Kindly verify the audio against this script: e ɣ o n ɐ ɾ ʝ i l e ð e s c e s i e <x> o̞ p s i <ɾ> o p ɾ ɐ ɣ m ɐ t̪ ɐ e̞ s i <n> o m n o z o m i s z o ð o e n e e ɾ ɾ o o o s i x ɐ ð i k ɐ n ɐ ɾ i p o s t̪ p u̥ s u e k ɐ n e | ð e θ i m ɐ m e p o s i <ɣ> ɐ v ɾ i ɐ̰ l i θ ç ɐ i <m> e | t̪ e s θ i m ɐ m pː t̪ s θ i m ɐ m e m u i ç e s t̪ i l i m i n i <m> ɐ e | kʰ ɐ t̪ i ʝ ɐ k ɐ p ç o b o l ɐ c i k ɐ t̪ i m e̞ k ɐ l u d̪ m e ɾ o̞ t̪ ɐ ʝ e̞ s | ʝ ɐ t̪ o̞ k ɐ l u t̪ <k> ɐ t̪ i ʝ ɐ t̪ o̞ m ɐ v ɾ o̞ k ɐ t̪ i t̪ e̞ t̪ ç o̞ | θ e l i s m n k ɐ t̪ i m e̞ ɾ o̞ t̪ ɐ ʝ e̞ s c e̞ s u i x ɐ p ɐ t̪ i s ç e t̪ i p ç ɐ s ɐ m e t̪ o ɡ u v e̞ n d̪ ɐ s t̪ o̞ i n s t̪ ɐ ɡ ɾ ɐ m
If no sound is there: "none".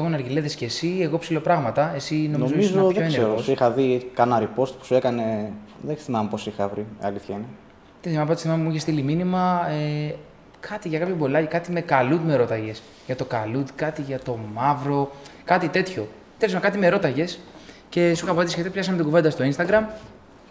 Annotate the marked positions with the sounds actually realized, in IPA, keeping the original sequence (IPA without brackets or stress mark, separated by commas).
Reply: ɣ, l, n, x, n, m, k